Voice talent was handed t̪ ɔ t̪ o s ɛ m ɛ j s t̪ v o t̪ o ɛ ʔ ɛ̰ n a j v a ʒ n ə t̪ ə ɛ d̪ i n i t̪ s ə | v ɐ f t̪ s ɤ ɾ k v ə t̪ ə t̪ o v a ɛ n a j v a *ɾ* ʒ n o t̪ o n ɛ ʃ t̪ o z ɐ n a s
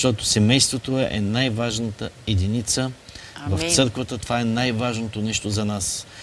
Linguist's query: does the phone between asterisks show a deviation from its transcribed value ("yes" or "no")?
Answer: yes